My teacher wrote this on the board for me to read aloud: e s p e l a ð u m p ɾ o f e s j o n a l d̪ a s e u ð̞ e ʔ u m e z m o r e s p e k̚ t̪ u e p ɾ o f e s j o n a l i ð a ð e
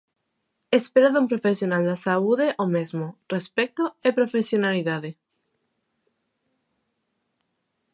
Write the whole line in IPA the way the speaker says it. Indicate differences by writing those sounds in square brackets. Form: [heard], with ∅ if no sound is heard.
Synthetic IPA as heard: e s p e [ɾ] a ð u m p ɾ o f e s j o n a l d̪ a s [a] u ð̞ e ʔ [o] m e z m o r e s p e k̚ t̪ [o] e p ɾ o f e s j o n a l i ð a ð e